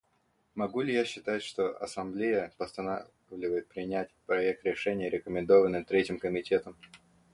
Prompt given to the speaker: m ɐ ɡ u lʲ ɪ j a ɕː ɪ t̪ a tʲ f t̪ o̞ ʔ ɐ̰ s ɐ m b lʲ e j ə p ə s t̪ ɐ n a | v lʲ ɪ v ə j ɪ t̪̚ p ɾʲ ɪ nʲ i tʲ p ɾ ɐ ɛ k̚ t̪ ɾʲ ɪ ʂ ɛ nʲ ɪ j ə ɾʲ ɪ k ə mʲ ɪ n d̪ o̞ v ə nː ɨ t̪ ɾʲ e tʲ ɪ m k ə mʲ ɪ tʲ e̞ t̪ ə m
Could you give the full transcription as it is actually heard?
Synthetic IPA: m ɐ ɡ u lʲ ɪ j a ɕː ɪ t̪ a tʲ ʂ t̪ o̞ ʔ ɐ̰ s ɐ m b lʲ e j ə p ə s t̪ ɐ n a | v lʲ ɪ v ə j ɪ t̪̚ p ɾʲ ɪ nʲ æ tʲ p ɾ ɐ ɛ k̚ t̪ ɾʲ ɪ ʂ ɛ nʲ ɪ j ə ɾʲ ɪ k ə mʲ ɪ n d̪ o̞ v ə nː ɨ t̪ ɾʲ e tʲ ɪ m k ə mʲ ɪ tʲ e̞ t̪ ə m